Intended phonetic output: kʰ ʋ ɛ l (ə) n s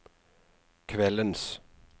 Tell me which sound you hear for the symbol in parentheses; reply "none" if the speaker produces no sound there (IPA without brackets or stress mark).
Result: ə